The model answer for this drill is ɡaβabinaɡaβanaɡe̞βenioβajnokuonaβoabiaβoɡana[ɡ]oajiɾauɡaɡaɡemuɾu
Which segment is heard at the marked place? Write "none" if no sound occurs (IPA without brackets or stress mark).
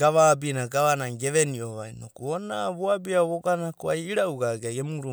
k